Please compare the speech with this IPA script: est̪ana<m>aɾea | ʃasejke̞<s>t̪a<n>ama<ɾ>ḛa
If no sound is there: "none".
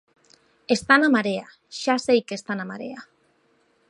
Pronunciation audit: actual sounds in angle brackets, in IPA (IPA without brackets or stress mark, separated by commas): m, s, n, ɾ